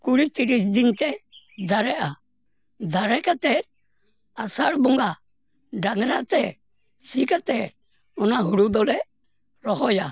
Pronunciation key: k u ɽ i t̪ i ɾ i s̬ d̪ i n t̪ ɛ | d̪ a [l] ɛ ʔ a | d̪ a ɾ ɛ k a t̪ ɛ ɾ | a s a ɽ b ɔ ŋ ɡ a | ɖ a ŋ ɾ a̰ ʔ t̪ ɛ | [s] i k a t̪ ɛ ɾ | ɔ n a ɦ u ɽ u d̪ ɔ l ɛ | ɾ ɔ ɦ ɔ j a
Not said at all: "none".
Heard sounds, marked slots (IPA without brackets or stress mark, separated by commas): ɾ, s